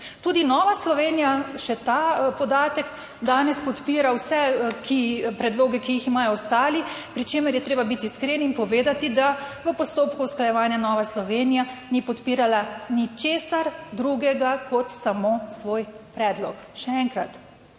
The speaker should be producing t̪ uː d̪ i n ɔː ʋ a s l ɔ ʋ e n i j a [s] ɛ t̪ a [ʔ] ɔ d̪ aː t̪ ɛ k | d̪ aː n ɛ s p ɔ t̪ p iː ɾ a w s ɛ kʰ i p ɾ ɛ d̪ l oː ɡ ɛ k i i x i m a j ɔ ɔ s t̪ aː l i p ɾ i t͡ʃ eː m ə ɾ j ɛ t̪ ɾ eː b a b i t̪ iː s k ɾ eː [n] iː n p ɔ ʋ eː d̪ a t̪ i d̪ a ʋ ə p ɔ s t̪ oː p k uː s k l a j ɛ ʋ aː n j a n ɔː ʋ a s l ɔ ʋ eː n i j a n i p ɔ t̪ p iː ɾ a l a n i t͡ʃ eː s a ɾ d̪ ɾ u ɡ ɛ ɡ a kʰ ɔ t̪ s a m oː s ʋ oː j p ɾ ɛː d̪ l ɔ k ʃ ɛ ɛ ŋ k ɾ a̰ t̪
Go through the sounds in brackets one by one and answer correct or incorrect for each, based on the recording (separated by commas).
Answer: incorrect, incorrect, correct